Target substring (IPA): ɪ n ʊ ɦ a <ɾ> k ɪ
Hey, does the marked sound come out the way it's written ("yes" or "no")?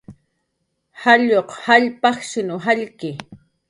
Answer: no